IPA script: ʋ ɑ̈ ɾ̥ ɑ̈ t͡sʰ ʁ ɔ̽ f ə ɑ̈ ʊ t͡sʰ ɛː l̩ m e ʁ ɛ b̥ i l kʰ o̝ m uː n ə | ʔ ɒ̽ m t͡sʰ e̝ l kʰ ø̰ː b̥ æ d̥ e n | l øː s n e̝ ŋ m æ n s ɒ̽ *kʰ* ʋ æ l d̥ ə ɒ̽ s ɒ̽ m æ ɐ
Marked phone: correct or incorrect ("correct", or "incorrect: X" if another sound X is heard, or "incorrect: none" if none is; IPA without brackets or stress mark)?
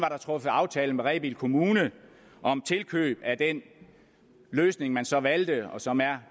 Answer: incorrect: none